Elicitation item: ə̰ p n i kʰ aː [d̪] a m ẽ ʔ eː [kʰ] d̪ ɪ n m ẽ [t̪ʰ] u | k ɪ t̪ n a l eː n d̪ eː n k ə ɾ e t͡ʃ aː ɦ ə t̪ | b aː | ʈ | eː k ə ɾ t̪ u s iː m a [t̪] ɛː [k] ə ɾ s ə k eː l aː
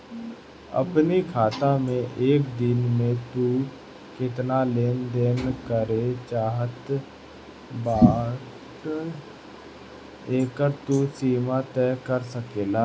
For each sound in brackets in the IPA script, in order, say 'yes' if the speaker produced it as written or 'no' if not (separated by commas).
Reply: no, no, no, yes, yes